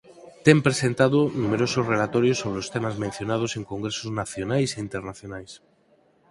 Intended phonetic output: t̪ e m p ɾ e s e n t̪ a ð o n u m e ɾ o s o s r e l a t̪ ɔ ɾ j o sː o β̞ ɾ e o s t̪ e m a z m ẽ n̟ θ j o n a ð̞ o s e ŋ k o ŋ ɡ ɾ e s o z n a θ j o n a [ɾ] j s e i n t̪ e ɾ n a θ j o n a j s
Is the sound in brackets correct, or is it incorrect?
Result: incorrect